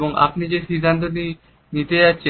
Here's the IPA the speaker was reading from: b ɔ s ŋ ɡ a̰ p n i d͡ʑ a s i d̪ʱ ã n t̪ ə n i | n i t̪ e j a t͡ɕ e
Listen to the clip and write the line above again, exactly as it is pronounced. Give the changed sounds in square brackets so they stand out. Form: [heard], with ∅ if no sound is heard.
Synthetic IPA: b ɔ [∅] ŋ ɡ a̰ p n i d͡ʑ [e] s i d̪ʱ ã n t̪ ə n i | n i t̪ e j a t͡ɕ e